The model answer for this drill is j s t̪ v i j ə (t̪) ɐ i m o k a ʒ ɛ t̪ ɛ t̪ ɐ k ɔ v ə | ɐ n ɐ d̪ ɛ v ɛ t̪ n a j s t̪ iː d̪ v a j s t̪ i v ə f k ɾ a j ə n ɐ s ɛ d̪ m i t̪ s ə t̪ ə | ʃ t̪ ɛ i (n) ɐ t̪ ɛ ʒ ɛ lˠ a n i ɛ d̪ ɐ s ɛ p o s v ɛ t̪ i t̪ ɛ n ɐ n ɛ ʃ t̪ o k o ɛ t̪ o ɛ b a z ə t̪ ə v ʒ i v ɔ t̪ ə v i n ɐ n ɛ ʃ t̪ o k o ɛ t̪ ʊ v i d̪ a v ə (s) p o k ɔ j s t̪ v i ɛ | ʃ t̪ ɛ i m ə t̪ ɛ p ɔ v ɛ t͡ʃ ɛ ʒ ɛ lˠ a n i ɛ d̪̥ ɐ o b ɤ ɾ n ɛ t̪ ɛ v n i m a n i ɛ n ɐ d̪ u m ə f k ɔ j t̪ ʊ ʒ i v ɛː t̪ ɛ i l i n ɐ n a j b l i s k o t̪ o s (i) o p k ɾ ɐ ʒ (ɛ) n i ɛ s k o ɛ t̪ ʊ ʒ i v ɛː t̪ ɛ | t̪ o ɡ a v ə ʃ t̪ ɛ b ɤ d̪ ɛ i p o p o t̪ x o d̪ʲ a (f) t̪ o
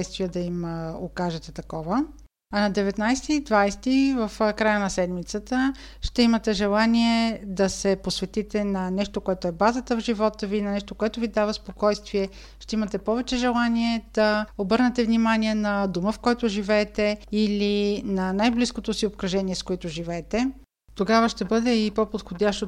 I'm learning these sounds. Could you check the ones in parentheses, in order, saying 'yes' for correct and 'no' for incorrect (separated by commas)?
no, no, yes, yes, yes, no